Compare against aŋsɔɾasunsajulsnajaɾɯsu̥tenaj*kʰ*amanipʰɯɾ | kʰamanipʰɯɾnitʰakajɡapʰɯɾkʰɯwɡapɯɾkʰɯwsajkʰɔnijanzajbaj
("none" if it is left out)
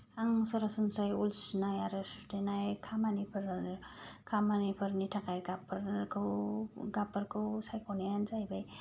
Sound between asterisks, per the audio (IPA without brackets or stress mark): kʰ